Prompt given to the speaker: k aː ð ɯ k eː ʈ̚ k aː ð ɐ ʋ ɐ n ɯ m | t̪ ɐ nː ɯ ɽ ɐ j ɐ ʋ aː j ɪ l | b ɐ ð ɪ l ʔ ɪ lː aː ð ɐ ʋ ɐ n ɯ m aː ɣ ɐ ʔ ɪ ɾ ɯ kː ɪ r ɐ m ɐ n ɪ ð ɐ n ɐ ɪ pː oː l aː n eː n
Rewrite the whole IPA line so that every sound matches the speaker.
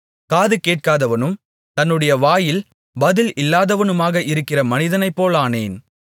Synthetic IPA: k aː ð ɯ k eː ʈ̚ k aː ð ɐ ʋ ɐ n ɯ m | t̪ ɐ nː ɯ ɽ ɐ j ɐ ʋ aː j ɪ l | b ɐ ð ɪ l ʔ ɪ lː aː ð ɐ ʋ ɐ n ɯ m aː ɣ ɐ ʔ ɪ ɾ ɯ kː ɪ r ɐ m ɐ n ɪ ð ɐ n ɐ ɪ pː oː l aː n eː n

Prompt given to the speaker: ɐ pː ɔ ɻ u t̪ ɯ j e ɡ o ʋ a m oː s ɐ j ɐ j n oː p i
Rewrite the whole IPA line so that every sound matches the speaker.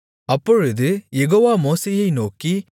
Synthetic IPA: ɐ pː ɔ ɻ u d̪ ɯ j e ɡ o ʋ a m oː s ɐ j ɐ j n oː k i

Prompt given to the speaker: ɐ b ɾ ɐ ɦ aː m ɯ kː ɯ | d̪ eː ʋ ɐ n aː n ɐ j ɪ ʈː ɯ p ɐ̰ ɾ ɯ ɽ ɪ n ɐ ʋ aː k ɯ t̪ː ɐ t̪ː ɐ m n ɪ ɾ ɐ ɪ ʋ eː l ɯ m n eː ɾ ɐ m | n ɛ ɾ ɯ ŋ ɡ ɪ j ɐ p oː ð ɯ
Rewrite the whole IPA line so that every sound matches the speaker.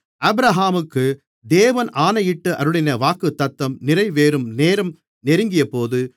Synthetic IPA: ɐ b ɾ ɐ ɦ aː m ɯ kː ɯ | d̪ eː ʋ ɐ n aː n ɐ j ɪ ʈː ɯ ʔ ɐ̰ ɾ ɯ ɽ ɪ n ɐ ʋ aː k ɯ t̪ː ɐ t̪ː ɐ m n ɪ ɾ ɐ ɪ ʋ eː ɾ ɯ m n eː ɾ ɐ m | n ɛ ɾ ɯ ŋ ɡ ɪ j ɐ p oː ð ɯ

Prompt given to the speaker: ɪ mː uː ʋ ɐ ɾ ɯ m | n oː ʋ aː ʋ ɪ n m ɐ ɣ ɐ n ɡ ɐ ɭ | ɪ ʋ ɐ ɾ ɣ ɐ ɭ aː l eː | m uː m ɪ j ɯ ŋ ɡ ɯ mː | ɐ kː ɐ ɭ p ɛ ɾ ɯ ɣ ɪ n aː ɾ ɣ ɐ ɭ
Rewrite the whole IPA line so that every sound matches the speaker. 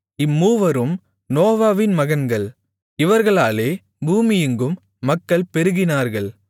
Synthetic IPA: ɪ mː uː ʋ ɐ ɾ ɯ m | n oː ʋ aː ʋ ɪ n m ɐ ɣ ɐ n ɡ ɐ ɭ | ɪ ʋ ɐ ɾ ɣ ɐ ɭ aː l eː | b uː m ɪ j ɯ ŋ ɡ ɯ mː | ɐ kː ɐ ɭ p ɛ ɾ ɯ ɣ ɪ n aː ɾ ɣ ɐ ɭ

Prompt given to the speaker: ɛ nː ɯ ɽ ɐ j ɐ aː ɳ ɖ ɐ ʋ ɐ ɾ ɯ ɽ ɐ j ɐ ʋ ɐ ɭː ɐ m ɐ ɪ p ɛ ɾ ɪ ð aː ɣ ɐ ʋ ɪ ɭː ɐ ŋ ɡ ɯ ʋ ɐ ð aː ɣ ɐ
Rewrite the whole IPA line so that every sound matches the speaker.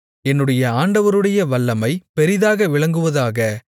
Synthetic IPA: ɛ nː ɯ ɽ ɐ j ɐ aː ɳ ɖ ɐ ʋ ɐ ɾ ɯ ɽ ɐ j ɐ ʋ ɐ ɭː ɐ m ɐ ɪ p ɛ ɾ ɪ ð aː ɣ ɐ ʋ ɪ ɭ ɐ ŋ ɡ ɯ ʋ ɐ ð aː ɣ ɐ

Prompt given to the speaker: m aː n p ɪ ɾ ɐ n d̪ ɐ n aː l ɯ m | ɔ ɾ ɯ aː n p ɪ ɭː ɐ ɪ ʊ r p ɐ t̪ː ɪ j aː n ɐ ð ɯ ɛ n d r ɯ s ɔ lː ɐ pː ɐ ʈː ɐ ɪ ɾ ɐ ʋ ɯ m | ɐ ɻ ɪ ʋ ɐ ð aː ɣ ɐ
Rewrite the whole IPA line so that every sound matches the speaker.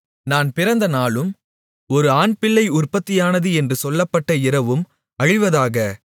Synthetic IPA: n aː n p ɪ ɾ ɐ n d̪ ɐ n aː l ɯ m | ɔ ɾ ɯ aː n p ɪ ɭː ɐ ɪ ʊ r p ɐ t̪ː ɪ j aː n ɐ ð ɯ ɛ n d r ɯ s ɔ lː ɐ pː ɐ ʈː ɐ ɪ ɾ ɐ ʋ ɯ m | ɐ ɻ ɪ ʋ ɐ ð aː ɣ ɐ

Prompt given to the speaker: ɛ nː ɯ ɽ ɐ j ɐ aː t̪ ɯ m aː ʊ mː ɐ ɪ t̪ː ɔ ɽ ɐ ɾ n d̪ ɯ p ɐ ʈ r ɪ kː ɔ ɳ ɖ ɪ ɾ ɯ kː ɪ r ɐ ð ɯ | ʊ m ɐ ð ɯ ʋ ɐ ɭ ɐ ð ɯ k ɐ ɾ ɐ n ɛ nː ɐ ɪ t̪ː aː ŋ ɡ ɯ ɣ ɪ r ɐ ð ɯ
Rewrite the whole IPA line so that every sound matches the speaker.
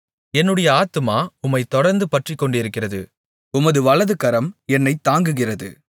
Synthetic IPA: ɛ nː ɯ ɽ ɐ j ɐ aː t̪ ɯ m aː ʊ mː ɐ ɪ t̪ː ɔ ɽ ɐ ɾ n d̪ ɯ p ɐ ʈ r ɪ kː ɔ ɳ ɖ ɪ ɾ ɯ kː ɪ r ɐ ð ɯ | ʊ m ɐ ð ɯ ʋ ɐ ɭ ɐ ð ɯ k ɐ ɾ ɐ m ɛ nː ɐ ɪ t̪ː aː ŋ ɡ ɯ ɣ ɪ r ɐ ð ɯ

